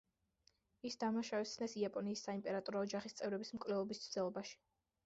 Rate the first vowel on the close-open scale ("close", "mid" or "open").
close